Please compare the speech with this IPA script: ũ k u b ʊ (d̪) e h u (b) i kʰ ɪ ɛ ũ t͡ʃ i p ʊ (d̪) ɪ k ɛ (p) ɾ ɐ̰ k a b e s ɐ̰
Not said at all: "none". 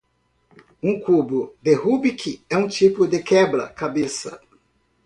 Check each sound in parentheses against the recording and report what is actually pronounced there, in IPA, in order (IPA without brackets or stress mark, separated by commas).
d̪, b, d̪, b